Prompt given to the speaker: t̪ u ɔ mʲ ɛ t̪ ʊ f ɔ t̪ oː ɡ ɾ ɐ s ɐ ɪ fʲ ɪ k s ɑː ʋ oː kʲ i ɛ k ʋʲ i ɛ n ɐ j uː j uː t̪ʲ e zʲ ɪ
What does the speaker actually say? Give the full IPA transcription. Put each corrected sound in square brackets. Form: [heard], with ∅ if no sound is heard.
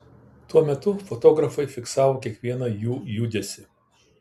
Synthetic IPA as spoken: t̪ u ɔ mʲ ɛ t̪ ʊ f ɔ t̪ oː ɡ ɾ ɐ [f] ɐ ɪ fʲ ɪ k s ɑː ʋ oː kʲ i ɛ k ʋʲ i ɛ n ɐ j uː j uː [d̪ʲ] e [sʲ] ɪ